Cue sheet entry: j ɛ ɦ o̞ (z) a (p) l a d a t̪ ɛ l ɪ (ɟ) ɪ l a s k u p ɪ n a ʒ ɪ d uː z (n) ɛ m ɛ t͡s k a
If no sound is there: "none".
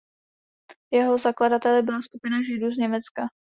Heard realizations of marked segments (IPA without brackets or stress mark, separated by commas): z, k, b, ɲ